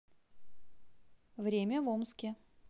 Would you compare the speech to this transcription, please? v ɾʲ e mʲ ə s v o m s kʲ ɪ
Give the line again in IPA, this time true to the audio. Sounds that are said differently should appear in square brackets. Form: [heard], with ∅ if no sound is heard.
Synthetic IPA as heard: v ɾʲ e mʲ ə [∅] v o m s kʲ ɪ